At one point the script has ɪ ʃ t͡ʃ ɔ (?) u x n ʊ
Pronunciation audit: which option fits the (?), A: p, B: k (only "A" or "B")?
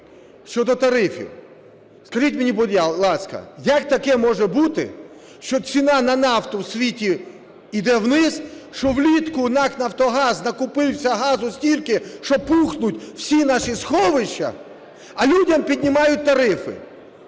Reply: A